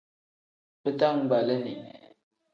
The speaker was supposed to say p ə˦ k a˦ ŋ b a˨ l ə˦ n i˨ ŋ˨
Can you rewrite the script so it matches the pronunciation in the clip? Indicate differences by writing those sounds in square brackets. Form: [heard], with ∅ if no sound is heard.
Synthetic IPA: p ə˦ [t] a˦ ŋ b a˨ l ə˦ n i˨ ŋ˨